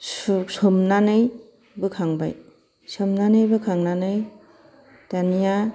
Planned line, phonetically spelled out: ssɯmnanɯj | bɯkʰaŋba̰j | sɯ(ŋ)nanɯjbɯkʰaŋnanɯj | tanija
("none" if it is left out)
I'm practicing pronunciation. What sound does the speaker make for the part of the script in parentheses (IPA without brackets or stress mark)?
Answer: m